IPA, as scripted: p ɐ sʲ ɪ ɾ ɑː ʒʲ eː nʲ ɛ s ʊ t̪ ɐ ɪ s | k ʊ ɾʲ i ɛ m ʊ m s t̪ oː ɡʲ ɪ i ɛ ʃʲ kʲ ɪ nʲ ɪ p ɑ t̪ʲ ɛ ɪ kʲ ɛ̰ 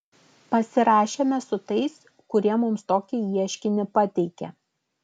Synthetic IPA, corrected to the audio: p ɐ sʲ ɪ ɾ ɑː ʃʲ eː mʲ ɛ s ʊ t̪ ɐ ɪ s | k ʊ ɾʲ i ɛ m ʊ m s t̪ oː kʲ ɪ i ɛ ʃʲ kʲ ɪ nʲ ɪ p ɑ t̪ʲ ɛ ɪ kʲ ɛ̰